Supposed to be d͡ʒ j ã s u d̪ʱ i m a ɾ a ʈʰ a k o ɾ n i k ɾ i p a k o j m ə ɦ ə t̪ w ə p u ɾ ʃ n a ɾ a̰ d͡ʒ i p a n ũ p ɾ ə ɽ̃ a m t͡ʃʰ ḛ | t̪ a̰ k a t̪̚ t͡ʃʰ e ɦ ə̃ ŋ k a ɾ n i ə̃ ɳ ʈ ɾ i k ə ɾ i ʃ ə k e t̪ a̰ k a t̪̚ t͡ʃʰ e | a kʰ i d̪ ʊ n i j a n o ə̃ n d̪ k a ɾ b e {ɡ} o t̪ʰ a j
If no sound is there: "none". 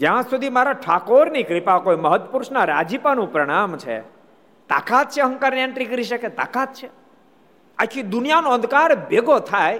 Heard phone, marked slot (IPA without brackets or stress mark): ɡ